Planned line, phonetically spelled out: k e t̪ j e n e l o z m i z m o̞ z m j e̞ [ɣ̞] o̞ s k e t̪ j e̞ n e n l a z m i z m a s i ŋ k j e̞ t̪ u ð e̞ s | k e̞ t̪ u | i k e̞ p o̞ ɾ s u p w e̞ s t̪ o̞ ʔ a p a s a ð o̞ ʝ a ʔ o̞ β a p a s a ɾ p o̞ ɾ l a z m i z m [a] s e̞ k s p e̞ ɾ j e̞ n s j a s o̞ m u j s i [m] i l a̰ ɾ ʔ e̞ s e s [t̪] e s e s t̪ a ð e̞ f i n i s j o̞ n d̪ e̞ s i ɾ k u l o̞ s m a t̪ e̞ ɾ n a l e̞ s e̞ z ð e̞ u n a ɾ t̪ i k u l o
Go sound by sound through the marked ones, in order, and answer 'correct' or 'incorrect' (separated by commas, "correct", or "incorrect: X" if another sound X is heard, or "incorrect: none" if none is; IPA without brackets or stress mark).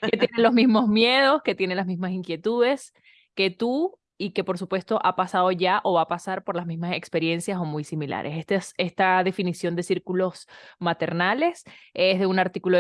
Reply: incorrect: ð̞, correct, correct, correct